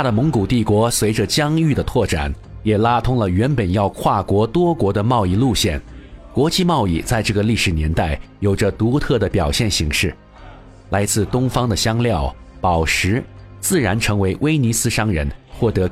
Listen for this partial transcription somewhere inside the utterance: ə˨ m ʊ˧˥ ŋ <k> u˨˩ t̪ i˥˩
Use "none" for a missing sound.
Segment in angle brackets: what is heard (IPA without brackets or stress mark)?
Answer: k